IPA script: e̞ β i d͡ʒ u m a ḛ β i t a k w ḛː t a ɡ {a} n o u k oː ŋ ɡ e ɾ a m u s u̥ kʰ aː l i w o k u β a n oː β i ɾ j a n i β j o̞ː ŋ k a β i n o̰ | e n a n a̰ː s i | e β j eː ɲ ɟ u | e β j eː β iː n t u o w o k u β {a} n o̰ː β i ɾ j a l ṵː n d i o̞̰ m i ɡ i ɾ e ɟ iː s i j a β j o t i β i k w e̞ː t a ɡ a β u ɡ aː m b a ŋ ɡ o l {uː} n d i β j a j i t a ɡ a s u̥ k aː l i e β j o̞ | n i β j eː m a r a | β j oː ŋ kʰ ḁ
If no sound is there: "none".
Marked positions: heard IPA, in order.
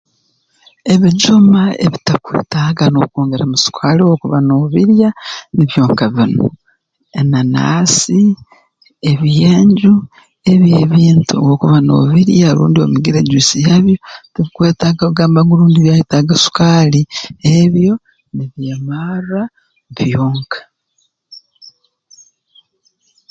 a, a, uː

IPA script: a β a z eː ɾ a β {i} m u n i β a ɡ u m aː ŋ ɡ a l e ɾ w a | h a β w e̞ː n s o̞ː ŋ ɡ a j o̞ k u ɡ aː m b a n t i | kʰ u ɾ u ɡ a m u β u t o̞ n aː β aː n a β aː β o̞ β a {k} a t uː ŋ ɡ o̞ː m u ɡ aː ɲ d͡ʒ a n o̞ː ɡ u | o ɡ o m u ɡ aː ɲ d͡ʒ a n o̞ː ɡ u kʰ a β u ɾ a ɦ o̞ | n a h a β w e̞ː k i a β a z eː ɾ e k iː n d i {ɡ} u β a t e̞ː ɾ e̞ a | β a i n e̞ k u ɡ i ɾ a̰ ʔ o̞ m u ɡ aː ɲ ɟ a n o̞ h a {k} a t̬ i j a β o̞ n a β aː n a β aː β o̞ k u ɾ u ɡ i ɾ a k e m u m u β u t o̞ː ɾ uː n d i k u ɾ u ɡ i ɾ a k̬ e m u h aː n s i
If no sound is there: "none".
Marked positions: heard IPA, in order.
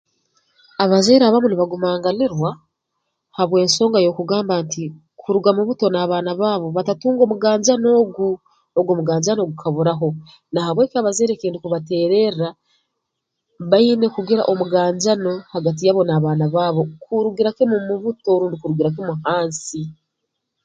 a, t, k, ɡ

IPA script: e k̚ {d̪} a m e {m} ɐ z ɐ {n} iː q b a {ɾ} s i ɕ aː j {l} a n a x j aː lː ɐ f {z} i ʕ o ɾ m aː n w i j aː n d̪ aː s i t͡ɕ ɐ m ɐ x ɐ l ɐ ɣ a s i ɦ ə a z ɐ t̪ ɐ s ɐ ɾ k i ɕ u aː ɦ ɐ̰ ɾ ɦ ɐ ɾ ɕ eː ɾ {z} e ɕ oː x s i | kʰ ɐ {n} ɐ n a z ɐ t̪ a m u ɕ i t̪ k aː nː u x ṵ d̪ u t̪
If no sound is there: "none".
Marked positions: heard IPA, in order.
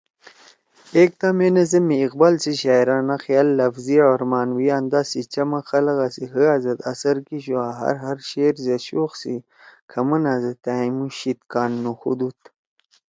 t̪, n, m, l, ɾ, z, z, m

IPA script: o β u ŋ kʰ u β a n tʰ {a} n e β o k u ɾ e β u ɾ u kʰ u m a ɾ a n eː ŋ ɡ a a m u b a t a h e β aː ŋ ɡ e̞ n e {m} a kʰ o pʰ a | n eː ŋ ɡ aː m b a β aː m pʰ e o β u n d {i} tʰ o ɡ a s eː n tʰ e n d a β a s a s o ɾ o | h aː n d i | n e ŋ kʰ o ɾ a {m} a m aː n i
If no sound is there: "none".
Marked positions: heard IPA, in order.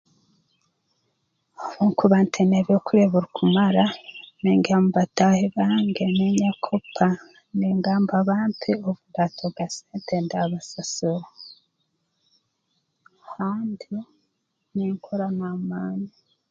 e, ɲ, a, n

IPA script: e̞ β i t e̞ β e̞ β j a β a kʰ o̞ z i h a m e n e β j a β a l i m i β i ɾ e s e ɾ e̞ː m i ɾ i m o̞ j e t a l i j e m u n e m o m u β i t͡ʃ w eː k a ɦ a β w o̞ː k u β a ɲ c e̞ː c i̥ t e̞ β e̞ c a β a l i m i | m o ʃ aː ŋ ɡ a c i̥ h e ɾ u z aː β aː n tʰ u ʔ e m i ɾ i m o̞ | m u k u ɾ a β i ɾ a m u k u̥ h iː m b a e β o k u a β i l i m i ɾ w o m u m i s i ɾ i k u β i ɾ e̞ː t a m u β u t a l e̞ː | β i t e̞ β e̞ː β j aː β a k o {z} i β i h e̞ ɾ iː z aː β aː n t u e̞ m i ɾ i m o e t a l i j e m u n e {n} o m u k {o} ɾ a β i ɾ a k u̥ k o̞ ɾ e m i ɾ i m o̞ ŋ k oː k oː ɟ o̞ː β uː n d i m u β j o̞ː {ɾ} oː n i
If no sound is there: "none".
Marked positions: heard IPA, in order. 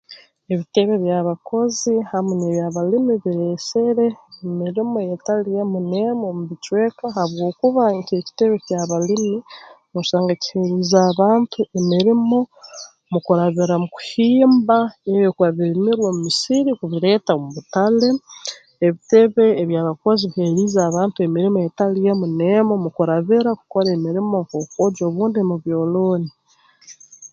z, m, u, l

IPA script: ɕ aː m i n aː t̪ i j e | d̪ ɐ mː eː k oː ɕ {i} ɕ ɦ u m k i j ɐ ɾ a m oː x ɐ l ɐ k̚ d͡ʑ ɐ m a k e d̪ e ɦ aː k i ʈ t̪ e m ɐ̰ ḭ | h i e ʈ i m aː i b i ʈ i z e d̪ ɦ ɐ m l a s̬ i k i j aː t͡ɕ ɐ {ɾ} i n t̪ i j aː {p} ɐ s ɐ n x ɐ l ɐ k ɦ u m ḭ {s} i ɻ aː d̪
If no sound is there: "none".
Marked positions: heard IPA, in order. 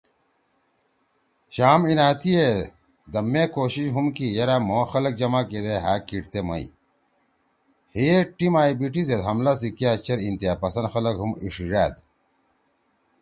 i, ɾ, p, ʂ

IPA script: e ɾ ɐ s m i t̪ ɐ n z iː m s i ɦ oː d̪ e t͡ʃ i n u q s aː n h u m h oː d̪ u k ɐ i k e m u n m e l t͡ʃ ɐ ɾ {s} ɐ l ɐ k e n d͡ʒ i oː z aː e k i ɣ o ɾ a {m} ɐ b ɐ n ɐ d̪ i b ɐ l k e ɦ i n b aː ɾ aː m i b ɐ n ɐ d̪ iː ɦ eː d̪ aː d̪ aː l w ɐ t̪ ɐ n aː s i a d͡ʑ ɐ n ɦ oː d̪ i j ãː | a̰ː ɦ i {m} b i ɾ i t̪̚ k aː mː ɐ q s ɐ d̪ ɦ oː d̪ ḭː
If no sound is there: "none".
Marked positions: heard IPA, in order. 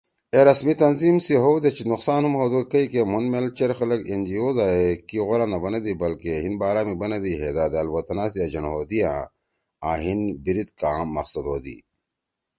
x, n, n

